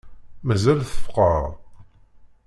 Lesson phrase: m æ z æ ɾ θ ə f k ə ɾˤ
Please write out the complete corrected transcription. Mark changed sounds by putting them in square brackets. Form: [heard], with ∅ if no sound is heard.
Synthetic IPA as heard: m æ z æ [l] θ ə f [q] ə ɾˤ

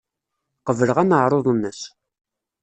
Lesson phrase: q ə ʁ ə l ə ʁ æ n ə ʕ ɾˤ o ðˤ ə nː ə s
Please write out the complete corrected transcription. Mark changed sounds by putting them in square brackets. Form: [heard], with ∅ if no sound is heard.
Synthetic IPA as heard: q ə [v] ə l ə ʁ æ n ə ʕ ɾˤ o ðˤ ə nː ə s

